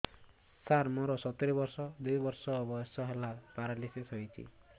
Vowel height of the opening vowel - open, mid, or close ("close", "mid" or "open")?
open